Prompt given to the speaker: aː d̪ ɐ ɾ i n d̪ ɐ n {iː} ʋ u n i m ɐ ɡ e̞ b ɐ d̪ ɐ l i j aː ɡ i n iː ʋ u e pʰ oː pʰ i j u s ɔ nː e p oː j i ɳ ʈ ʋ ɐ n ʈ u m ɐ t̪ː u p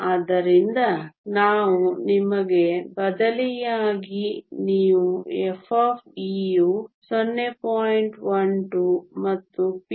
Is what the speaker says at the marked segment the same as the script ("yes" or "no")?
no